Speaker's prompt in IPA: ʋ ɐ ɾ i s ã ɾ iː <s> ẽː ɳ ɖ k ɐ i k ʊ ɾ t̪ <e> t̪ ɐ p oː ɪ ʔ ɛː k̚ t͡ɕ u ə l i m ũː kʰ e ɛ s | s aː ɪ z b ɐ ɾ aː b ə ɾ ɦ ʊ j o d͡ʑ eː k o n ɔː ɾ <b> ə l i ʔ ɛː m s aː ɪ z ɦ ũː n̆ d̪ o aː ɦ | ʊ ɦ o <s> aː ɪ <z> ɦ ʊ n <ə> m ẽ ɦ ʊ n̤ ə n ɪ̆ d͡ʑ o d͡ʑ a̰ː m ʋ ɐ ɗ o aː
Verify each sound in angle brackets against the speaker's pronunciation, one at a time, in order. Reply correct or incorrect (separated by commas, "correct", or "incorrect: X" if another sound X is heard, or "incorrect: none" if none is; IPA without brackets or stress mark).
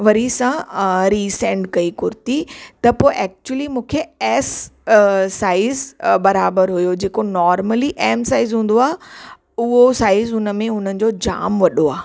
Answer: correct, incorrect: i, incorrect: m, correct, correct, correct